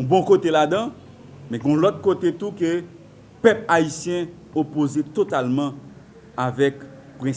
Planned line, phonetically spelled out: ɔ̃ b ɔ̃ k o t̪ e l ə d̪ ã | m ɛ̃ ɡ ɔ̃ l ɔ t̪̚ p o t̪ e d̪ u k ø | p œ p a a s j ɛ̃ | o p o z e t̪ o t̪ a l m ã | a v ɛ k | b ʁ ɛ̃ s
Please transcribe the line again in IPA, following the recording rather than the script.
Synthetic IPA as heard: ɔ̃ b ɔ̃ k o t̪ e l a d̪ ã | m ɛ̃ ɡ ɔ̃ l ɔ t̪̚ k o t̪ e t̪ u k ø | p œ p a i s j ɛ̃ | o p o z e t̪ o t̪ a l m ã | a v ɛ k | p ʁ ɛ̃ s